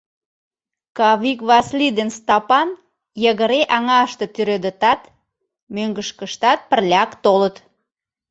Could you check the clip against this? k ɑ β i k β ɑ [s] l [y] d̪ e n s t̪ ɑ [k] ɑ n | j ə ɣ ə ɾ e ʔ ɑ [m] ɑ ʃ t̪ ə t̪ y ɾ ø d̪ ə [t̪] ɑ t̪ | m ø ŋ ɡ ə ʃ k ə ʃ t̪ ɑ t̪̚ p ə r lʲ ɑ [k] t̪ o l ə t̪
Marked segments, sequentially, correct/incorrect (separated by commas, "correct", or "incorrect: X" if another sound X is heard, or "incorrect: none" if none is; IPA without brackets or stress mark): correct, incorrect: i, incorrect: p, incorrect: ŋ, correct, correct